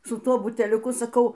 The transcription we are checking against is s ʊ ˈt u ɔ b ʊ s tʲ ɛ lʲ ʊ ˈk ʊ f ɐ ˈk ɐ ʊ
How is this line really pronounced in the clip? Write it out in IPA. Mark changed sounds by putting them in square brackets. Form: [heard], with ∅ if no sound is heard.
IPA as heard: s ʊ ˈt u ɔ b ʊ [∅] tʲ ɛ lʲ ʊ ˈk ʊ [s] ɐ ˈk ɐ ʊ